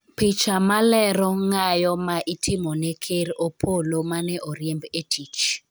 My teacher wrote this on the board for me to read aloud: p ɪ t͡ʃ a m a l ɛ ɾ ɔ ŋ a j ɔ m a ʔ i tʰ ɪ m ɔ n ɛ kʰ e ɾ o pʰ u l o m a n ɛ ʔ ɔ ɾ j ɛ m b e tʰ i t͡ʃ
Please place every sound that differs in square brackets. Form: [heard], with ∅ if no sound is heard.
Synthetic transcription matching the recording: p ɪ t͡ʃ a m a l ɛ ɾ ɔ ŋ a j ɔ m a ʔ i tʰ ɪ m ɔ n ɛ kʰ e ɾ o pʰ [o] l o m a n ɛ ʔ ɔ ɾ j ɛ m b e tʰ i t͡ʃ